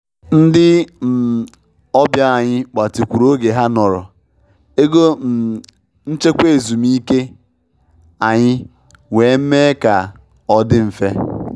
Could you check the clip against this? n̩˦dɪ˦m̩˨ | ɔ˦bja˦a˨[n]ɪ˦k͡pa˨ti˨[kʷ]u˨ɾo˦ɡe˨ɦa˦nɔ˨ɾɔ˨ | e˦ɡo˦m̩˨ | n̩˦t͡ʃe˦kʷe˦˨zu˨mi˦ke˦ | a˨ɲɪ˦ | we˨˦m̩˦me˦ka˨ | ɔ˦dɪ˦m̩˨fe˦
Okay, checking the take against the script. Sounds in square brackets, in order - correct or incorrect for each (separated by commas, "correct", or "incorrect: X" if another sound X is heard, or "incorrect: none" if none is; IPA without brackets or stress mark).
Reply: incorrect: ɲ, correct